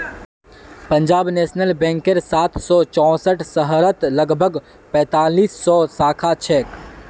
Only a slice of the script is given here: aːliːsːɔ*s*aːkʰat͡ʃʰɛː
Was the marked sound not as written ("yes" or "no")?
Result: no